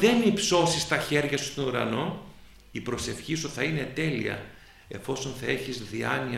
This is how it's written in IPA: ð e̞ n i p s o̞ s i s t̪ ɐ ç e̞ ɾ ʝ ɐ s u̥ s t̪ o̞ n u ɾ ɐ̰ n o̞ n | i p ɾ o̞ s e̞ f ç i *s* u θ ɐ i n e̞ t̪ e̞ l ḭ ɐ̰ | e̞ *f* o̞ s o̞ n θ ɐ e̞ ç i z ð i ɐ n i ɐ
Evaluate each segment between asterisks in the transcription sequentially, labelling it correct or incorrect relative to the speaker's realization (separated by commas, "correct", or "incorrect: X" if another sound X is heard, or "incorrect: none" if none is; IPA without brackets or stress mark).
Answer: correct, correct